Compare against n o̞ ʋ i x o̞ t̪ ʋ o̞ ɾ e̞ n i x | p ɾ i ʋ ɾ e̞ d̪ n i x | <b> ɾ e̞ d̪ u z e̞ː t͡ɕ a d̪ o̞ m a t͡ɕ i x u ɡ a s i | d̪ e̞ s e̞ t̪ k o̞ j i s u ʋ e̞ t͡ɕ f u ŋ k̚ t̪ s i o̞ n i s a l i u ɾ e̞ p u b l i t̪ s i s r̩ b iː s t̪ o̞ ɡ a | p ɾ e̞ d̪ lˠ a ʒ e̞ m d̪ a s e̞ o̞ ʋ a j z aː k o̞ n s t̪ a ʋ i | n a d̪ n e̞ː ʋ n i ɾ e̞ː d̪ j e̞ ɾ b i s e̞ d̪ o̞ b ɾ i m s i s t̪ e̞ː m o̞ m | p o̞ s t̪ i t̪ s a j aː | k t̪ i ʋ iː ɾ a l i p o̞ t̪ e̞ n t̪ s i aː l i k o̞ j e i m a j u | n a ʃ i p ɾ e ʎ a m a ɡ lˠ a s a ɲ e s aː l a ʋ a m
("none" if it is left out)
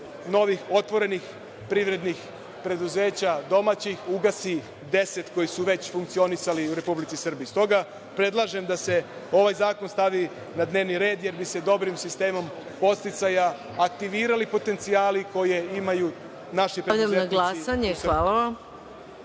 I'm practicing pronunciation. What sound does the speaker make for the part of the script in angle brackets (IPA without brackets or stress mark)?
p